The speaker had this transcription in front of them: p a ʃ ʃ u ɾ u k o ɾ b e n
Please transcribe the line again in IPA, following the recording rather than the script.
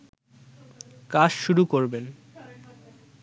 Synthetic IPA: k a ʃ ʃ u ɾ u k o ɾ b e n

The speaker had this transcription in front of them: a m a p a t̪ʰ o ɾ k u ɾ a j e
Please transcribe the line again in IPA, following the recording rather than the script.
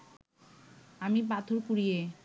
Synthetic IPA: a m i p a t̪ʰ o ɾ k u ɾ i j e

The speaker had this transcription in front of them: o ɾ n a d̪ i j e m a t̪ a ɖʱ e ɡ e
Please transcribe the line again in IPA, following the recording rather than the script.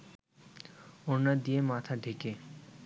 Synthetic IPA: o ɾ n a d̪ i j e m a t̪ʰ a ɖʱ e k e

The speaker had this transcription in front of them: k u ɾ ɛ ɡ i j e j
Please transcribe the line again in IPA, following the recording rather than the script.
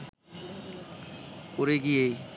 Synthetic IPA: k o ɾ e ɡ i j e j

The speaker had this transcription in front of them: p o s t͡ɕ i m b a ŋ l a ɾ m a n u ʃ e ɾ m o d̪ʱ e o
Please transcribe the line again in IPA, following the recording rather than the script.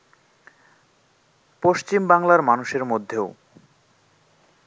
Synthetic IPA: p o ʃ t͡ɕ i m b a ŋ l a ɾ m a n u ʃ e ɾ m o d̪ʱː e o

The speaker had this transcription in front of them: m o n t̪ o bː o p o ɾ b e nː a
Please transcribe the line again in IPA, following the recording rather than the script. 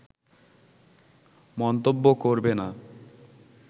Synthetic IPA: m ɔ n t̪ o bː o k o ɾ b e n a

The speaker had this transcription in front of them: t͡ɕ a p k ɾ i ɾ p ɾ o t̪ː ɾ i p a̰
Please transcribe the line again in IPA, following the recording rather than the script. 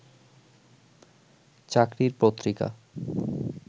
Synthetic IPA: t͡ɕ a k ɾ i ɾ p ɾ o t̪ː ɾ i k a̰

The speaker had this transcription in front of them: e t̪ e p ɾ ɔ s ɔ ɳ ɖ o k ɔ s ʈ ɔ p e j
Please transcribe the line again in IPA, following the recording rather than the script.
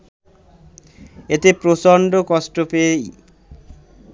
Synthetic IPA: e t̪ e p ɾ o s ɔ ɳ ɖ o k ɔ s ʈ o p e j

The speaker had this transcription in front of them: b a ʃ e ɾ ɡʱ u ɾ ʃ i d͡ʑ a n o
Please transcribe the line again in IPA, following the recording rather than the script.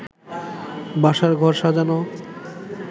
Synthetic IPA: b a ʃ a ɾ ɡʱ ɔ ɾ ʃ a d͡ʑ a n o

